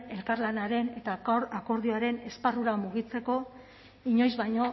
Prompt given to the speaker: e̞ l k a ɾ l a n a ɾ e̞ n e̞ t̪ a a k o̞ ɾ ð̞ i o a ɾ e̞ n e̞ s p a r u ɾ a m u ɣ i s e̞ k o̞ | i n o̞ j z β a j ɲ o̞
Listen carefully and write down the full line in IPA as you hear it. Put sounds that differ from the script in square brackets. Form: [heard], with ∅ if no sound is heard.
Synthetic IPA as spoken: e̞ l k a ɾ l a n a ɾ e̞ n e̞ t̪ a a k o̞ ɾ ð̞ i o a ɾ e̞ n e̞ s p a r u ɾ a m u ɣ i [t͡s] e̞ k o̞ | i [ɲ] o̞ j z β a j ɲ o̞